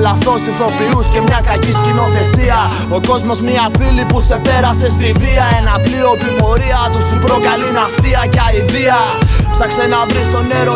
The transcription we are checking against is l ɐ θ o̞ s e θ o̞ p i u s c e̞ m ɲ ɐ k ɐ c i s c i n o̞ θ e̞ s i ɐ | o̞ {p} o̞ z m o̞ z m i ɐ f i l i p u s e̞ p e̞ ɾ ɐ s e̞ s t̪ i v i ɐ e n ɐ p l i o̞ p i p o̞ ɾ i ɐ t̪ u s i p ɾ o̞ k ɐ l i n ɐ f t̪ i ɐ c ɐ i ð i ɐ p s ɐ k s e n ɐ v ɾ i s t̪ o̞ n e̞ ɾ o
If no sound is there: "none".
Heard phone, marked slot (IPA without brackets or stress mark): k